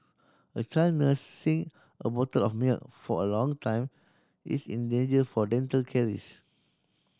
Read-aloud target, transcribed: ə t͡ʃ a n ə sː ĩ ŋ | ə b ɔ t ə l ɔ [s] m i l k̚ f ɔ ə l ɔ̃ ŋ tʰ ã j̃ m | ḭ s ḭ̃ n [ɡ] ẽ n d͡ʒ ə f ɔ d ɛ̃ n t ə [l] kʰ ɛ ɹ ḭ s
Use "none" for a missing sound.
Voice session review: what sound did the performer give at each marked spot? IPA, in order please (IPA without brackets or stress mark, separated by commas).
f, d, l